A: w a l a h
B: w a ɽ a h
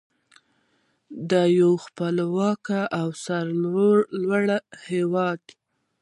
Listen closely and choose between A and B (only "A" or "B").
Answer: B